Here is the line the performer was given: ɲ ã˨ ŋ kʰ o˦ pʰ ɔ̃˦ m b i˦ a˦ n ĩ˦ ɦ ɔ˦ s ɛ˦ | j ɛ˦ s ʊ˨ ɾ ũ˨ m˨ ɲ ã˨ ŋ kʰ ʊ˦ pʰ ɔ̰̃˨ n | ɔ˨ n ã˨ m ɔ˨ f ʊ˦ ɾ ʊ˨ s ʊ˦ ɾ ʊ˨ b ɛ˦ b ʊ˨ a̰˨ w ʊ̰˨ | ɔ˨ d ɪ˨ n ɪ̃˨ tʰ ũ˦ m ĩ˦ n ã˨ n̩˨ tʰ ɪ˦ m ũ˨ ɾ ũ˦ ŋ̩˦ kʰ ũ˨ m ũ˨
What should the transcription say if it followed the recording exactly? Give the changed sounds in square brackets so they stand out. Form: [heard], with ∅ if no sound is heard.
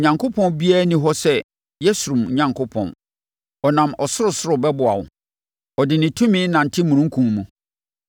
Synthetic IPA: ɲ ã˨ ŋ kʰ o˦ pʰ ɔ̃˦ [n] b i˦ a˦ n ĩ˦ ɦ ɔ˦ s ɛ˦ | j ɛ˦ s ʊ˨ ɾ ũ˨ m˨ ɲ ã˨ ŋ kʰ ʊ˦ pʰ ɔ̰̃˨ n | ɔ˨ n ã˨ m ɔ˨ [s] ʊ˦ ɾ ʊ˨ s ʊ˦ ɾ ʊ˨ b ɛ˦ b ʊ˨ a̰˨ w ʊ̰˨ | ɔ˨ d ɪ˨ n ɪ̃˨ tʰ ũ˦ m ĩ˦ n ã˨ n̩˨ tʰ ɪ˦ m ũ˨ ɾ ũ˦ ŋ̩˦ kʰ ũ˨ m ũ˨